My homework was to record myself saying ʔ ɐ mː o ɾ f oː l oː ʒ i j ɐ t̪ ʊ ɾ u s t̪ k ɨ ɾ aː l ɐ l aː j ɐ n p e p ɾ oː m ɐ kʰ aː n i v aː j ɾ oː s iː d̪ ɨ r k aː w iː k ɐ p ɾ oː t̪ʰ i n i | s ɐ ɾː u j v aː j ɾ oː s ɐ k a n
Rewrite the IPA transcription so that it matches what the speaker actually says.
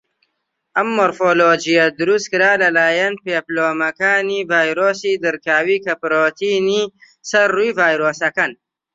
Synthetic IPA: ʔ ɐ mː o ɾ f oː l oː d͡ʒ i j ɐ d̪ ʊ ɾ u s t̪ k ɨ ɾ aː l ɐ l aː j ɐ n p e p l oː m ɐ k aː n i v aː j ɾ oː s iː d̪ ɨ ɾ k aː w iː k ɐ p ɾ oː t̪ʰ i n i | s ɐ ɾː u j v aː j ɾ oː s ɐ k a n

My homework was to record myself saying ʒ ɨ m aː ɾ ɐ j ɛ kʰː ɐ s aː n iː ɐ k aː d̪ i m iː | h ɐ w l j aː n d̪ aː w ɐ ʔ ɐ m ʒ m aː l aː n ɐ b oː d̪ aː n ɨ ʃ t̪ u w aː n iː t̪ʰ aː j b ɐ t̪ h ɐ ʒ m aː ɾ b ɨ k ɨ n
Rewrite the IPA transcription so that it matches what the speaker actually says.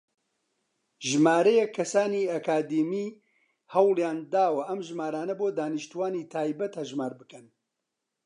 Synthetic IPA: ʒ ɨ m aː ɾ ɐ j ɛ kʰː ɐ s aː n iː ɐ k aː d̪ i m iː | h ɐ w l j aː n d̪ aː w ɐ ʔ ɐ m ʒ m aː ɾ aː n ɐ b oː d̪ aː n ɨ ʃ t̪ u w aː n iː t̪ʰ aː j b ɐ t̪ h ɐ ʒ m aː ɾ b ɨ k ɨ n

